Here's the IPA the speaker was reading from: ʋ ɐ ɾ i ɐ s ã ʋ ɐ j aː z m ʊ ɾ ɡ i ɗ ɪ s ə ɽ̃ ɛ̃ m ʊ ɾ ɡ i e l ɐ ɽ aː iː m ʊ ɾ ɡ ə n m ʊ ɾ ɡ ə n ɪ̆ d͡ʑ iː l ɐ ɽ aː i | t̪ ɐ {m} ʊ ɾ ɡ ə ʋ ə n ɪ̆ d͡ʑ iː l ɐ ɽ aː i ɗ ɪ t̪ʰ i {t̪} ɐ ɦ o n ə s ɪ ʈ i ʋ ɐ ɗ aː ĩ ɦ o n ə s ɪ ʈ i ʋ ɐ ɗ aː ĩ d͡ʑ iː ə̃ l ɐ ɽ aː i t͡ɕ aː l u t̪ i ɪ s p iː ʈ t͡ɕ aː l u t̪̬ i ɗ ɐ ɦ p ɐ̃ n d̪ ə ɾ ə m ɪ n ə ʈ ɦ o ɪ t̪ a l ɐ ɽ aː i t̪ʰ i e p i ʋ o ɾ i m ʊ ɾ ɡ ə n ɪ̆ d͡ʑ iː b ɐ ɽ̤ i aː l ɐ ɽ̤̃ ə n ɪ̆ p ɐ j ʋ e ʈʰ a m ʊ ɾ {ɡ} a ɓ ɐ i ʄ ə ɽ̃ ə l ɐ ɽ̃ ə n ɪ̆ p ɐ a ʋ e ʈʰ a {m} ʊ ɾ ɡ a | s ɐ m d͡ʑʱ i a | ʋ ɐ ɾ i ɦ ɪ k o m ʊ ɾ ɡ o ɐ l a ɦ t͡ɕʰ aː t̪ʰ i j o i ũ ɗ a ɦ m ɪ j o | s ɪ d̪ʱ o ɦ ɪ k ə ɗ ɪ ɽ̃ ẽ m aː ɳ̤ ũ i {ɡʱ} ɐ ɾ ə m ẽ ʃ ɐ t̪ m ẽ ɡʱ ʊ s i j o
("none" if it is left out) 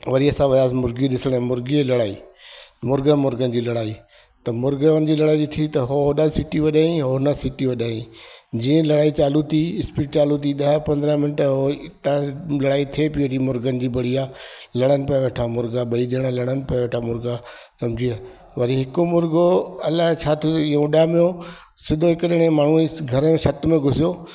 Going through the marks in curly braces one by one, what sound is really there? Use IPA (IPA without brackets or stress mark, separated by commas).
m, t̪, ɡ, m, ɡʱ